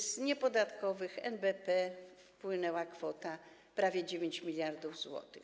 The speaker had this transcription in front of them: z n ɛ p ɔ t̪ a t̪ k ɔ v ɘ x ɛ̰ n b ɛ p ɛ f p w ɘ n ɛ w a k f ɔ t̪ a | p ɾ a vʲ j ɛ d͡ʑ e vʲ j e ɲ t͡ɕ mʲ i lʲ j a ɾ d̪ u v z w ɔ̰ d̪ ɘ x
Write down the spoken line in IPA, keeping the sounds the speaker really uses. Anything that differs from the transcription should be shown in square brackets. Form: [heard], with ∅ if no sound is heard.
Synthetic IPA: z [ɲ] ɛ p ɔ [d̪] a t̪ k ɔ v ɘ x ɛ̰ n b ɛ p ɛ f p w ɘ n ɛ w a k f ɔ t̪ a | p ɾ a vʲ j ɛ d͡ʑ e vʲ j e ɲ t͡ɕ mʲ i lʲ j a ɾ d̪ u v z w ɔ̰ [t̪] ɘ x